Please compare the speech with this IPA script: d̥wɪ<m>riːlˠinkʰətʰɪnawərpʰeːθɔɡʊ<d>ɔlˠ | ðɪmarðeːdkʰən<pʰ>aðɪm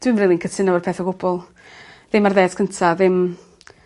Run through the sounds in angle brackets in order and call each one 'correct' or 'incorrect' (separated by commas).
correct, incorrect, incorrect